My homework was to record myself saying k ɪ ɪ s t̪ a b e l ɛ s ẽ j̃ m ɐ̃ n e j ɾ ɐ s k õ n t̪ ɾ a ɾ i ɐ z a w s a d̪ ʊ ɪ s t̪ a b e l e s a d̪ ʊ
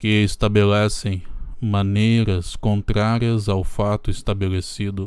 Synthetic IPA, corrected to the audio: k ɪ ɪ s t̪ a b e l ɛ s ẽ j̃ m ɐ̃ n e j ɾ ɐ s k õ n t̪ ɾ a ɾ i ɐ z a w f a t̪ ʊ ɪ s t̪ a b e l e s i d̪ ʊ